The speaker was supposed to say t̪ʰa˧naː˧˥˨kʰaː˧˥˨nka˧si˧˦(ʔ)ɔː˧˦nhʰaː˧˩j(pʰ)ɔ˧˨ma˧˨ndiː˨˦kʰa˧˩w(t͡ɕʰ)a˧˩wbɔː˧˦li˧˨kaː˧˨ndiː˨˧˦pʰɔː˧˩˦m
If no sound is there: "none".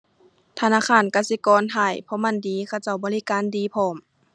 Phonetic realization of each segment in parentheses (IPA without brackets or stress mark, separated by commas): k, pʰ, t͡ɕ